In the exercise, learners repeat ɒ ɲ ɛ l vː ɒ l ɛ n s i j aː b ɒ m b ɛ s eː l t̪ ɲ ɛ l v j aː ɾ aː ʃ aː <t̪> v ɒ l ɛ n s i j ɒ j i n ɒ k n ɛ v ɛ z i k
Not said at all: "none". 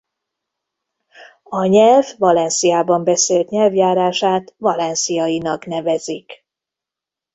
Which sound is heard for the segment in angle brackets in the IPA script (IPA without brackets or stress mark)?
t̪